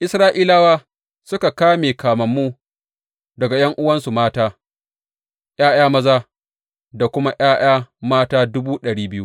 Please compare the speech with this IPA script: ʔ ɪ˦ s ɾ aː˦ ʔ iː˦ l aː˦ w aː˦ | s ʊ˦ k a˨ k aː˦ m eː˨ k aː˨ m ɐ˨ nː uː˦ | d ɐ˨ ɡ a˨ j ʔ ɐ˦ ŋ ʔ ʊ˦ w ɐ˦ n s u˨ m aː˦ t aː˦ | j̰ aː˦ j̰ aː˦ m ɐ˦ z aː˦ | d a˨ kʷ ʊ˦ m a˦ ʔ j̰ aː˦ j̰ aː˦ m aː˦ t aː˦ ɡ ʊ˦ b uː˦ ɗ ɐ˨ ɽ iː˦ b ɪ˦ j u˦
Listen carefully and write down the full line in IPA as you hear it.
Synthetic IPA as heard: ʔ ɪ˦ s ɾ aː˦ ʔ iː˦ l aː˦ w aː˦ | s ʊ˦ k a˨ k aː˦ m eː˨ k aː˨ m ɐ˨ mː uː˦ | d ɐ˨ ɡ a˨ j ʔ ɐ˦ ŋ ʔ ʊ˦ w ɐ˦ n s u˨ m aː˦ t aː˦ | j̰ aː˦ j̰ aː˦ m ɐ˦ z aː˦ | d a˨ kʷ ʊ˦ m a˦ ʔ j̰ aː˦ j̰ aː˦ m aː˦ t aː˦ d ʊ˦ b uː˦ ɗ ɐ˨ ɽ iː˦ b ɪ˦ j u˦